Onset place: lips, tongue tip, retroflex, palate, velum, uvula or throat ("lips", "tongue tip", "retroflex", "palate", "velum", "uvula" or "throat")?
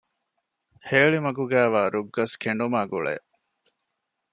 throat